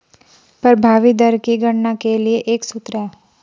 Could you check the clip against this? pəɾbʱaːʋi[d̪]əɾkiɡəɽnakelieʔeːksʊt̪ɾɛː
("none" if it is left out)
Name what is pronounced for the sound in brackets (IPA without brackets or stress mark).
d̪